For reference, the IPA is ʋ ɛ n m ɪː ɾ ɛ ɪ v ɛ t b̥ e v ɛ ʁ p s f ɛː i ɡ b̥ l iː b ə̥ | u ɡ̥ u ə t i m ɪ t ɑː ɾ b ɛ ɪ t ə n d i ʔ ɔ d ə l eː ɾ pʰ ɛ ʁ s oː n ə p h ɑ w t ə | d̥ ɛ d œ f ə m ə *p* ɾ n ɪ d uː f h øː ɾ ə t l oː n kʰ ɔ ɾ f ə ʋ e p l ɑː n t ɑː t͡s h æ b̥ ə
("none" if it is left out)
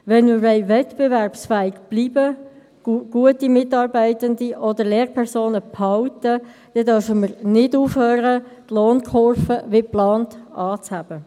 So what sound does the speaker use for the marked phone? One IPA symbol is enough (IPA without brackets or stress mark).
none